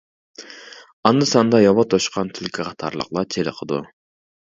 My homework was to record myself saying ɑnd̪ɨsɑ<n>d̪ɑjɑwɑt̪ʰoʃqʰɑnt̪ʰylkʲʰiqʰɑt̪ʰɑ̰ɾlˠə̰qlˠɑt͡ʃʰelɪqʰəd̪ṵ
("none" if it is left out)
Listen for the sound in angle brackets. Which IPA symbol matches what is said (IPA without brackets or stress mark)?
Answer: n